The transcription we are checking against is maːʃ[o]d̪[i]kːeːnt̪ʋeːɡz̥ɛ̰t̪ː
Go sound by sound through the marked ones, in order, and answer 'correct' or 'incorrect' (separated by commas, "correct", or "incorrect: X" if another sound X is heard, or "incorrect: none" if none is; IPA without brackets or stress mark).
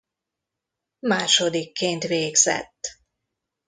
correct, correct